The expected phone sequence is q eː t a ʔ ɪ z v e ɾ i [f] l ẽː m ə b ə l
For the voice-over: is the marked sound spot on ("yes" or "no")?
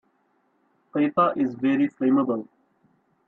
yes